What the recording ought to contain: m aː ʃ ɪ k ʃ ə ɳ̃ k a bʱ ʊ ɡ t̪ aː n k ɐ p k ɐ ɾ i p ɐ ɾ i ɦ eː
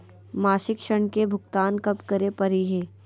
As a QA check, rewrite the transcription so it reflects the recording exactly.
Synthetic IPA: m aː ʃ ɪ k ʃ ə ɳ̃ k e bʱ ʊ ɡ t̪ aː n k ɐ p k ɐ ɾ e p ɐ ɾ i ɦ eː